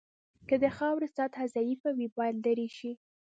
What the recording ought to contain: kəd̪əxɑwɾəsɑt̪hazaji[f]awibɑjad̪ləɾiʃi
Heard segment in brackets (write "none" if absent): f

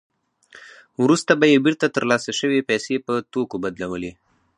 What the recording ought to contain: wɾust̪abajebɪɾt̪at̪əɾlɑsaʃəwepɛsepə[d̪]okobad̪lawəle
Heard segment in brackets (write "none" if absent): t̪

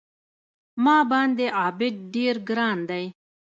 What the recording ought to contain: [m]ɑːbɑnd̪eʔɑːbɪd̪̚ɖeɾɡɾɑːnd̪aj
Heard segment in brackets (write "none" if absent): m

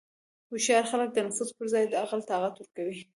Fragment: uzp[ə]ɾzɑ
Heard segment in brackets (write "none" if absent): ə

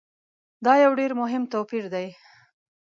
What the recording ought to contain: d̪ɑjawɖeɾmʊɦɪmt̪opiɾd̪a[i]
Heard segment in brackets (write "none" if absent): j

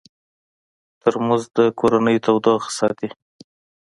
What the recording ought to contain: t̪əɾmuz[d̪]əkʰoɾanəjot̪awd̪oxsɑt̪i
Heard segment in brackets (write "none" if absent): d̪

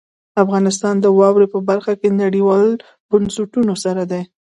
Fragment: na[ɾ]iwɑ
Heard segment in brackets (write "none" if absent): ɽ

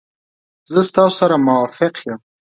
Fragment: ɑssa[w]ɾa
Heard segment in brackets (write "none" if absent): none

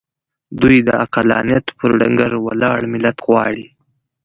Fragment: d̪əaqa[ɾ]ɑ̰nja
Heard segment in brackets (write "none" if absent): l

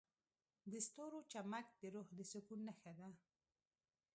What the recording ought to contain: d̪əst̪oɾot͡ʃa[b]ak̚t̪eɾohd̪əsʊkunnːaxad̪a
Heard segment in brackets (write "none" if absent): m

